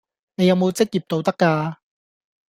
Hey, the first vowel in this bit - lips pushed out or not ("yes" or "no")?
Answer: no